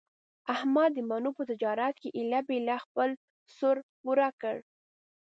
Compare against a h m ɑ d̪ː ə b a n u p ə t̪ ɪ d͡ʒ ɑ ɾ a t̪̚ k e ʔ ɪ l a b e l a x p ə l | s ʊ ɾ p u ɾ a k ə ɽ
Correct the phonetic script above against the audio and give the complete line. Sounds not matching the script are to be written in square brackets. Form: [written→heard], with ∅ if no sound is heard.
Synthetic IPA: a h m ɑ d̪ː ə [b→m] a n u p ə t̪ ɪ d͡ʒ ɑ ɾ a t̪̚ k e ʔ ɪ l a b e l a x p ə l | s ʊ ɾ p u ɾ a k ə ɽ